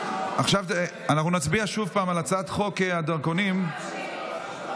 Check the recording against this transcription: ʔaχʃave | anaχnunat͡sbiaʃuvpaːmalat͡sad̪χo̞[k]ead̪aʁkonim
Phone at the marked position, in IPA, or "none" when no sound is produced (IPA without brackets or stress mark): k